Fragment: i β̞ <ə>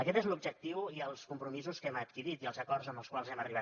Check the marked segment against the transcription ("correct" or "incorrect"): incorrect